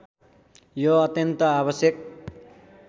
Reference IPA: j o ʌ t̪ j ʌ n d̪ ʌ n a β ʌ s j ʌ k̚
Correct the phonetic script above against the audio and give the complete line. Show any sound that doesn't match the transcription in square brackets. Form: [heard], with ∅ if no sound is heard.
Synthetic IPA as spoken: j o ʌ t̪ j ʌ n [t̪] ʌ [∅] a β ʌ s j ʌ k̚